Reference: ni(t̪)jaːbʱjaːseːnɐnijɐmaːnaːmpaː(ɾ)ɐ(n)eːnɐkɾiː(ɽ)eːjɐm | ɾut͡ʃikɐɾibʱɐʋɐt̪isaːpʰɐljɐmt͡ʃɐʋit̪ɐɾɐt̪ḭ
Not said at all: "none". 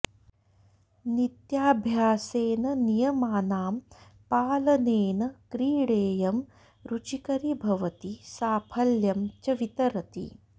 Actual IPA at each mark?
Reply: t̪, l, n, ɽ

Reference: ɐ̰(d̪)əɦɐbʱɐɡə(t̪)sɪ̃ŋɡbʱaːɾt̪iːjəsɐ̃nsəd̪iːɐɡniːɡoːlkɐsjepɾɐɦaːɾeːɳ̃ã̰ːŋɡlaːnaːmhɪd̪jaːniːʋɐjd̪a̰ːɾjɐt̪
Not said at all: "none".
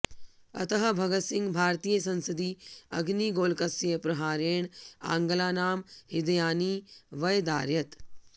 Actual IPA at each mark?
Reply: t̪, t̪

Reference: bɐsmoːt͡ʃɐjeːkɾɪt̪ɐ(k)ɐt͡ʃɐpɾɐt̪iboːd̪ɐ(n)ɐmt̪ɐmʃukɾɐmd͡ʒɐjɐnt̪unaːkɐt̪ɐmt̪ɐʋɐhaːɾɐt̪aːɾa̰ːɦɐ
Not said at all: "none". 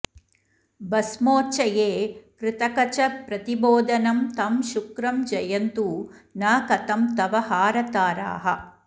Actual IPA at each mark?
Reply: k, n

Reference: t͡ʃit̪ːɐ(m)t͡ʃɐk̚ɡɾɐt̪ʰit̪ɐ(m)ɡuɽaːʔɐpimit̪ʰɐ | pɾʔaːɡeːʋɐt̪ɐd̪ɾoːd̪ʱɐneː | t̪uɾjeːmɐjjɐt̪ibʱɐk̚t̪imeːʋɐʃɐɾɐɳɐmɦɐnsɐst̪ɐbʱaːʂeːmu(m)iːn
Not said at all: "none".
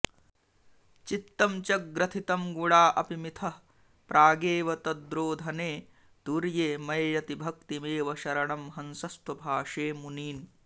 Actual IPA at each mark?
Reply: m, m, n

